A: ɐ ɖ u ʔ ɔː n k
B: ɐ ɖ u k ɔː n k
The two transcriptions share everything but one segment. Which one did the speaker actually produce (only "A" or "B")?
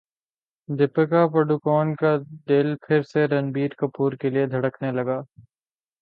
B